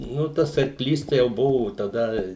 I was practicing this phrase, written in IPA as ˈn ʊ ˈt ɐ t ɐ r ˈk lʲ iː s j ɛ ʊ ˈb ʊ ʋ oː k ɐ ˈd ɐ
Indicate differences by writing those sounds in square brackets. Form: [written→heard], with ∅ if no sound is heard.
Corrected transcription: ˈn ʊ ˈt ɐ [t→s] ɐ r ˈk lʲ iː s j ɛ ʊ ˈb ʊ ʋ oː [k→t] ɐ ˈd ɐ